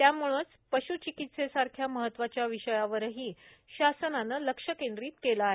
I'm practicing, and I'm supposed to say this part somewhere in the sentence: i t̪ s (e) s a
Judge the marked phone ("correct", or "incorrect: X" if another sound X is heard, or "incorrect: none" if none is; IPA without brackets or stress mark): correct